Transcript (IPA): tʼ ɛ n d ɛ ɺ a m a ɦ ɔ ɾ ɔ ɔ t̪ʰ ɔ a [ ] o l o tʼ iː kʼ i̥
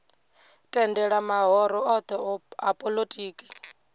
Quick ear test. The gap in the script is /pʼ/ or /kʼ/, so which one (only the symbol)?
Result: pʼ